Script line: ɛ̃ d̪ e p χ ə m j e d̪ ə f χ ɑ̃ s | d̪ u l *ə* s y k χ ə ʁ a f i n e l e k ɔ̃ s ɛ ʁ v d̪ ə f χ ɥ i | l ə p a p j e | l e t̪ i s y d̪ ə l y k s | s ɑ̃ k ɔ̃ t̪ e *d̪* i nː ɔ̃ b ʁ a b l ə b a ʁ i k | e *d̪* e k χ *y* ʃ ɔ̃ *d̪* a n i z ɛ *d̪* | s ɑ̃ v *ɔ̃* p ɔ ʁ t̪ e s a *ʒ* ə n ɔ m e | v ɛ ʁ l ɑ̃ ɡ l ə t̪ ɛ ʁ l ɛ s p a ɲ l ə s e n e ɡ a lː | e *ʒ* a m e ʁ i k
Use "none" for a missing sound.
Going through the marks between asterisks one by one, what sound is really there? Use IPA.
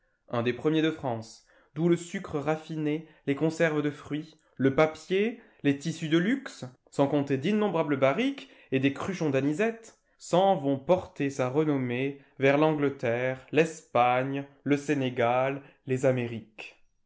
ə, d̪, d̪, y, d̪, t̪, ɔ̃, ʁ, z

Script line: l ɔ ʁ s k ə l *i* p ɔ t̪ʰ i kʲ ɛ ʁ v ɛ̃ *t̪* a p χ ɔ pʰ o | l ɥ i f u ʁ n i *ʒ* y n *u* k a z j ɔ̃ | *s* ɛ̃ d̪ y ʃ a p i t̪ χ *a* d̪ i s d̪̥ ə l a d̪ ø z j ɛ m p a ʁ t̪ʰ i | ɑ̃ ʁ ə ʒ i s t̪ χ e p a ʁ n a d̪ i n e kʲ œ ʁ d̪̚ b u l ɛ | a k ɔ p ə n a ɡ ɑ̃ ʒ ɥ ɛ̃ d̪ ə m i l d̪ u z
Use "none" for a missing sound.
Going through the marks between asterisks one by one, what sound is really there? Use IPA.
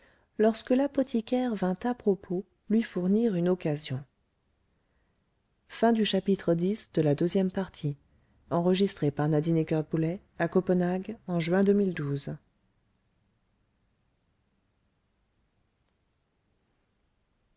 a, t̪, ʁ, ɔ, f, ə

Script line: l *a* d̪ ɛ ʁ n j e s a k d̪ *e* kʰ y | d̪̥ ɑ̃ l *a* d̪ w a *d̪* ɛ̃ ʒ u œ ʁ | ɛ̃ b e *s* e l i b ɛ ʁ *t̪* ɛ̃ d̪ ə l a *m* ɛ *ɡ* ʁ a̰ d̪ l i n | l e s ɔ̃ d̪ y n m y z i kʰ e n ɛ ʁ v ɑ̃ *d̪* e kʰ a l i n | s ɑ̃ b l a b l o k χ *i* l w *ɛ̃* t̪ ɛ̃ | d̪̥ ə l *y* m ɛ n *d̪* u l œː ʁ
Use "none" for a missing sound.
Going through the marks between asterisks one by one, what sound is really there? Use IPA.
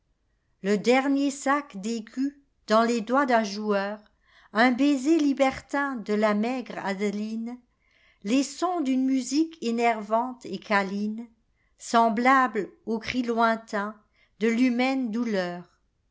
ə, e, e, d̪, z, t̪, m, ɡ, t̪, i, ɛ̃, y, d̪

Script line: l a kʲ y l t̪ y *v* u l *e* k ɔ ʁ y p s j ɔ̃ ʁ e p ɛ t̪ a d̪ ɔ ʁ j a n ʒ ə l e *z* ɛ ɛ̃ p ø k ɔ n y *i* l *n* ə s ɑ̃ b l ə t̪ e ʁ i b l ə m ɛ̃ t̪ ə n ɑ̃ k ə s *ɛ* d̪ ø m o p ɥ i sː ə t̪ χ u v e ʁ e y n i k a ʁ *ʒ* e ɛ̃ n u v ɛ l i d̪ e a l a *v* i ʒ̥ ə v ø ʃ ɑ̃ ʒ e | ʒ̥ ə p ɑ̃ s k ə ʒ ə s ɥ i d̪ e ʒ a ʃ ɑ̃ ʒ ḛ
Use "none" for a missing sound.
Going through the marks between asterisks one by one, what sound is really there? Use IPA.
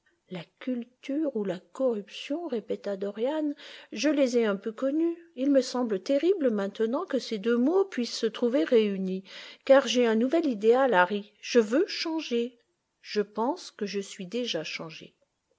ʁ, a, z, i, m, e, ʒ, ʁ

